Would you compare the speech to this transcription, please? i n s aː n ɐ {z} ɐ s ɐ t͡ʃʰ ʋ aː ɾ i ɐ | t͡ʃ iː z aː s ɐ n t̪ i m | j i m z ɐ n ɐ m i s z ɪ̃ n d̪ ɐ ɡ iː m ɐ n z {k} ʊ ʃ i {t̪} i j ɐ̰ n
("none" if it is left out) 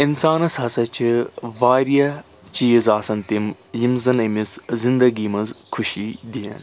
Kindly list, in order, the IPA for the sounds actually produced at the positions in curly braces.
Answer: s, kʰ, d̪

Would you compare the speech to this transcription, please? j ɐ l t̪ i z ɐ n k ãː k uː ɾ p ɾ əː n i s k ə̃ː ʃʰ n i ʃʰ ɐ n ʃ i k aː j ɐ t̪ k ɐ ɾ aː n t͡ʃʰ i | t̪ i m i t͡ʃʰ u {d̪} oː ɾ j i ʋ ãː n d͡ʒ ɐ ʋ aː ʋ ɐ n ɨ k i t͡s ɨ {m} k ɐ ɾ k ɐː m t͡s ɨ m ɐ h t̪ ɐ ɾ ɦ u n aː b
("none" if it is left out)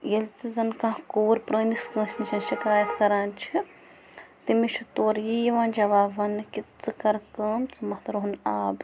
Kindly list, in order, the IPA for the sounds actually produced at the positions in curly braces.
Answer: t̪, none

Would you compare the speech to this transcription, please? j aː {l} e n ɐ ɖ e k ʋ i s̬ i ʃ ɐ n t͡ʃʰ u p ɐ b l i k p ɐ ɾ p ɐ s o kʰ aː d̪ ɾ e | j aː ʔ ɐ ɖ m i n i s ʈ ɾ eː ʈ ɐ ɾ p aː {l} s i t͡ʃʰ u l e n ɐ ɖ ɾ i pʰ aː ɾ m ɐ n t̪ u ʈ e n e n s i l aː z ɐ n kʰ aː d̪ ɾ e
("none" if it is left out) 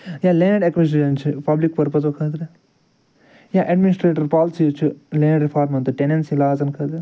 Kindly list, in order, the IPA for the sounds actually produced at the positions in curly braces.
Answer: l, l

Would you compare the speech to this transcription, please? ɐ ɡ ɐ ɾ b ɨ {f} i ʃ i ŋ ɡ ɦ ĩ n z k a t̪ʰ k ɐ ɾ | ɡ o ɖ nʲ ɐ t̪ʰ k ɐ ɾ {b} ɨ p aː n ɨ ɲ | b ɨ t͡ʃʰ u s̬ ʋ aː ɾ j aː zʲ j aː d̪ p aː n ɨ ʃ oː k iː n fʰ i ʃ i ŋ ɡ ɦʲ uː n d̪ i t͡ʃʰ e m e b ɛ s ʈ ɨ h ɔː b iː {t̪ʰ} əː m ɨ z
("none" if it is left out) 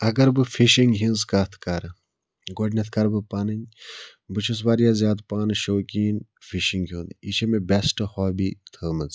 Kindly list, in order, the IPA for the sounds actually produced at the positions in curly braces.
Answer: f, b, t̪ʰ

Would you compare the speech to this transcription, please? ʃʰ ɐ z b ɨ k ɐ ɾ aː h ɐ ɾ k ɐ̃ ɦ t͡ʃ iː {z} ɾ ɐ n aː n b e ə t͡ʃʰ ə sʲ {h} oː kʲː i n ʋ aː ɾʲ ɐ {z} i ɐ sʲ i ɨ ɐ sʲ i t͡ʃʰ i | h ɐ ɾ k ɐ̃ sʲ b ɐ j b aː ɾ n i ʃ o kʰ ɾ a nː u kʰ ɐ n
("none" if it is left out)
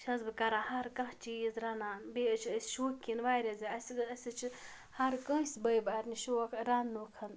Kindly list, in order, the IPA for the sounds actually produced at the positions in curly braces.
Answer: z, ʃ, z

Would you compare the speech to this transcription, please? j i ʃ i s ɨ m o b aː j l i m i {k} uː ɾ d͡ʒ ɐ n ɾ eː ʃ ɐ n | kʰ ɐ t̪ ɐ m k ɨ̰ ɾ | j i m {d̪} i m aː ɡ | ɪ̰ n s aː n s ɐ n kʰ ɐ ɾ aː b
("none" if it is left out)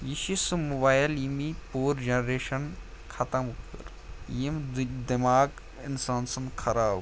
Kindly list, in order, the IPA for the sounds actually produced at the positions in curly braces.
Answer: p, d̪

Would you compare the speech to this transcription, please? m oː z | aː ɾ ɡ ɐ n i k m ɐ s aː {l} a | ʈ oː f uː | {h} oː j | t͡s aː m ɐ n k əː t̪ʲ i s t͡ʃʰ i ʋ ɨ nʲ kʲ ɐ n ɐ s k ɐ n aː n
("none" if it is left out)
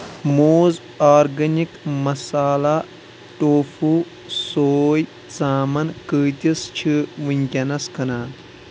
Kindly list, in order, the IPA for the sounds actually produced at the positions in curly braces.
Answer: l, s

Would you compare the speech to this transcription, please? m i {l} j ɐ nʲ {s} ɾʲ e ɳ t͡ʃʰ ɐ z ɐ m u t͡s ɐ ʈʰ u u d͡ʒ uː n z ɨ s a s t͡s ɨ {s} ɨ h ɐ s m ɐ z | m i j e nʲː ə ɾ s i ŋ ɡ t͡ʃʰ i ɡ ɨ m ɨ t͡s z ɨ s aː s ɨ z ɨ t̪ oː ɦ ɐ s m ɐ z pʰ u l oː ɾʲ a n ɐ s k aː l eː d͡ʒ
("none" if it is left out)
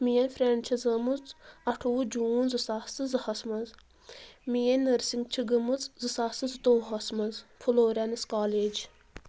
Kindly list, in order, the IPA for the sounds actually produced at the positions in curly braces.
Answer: none, f, z

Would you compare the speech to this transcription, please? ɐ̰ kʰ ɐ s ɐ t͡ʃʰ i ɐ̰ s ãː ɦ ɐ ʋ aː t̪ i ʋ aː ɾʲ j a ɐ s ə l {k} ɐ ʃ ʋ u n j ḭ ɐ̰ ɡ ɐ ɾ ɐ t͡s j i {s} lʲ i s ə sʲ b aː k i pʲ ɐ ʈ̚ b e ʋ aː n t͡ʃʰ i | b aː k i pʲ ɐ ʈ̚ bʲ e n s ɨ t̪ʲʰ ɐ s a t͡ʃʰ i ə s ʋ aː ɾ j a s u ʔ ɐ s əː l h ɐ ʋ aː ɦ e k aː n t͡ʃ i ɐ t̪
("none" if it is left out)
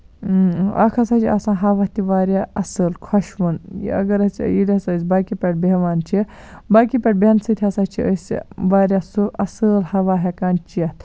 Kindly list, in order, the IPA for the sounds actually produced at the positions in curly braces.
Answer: kʰ, none

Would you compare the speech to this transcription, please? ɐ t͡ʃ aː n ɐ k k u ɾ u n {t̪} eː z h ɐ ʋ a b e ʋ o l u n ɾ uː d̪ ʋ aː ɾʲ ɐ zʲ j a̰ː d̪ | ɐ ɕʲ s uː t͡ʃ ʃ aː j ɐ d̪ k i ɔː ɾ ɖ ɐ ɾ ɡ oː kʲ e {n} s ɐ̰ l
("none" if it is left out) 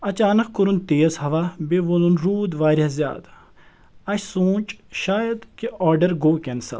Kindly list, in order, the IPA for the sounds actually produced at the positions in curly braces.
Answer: t̪, n

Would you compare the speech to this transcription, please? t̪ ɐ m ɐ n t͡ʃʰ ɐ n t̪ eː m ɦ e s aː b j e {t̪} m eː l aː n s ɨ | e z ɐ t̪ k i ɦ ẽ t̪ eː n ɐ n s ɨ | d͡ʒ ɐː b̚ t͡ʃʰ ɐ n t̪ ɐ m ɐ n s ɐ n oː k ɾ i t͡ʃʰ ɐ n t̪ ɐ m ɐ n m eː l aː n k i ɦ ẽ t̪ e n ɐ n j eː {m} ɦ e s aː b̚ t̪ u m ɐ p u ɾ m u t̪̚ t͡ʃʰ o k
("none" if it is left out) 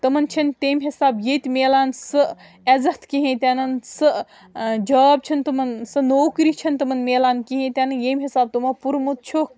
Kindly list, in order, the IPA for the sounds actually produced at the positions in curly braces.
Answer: t̪, m

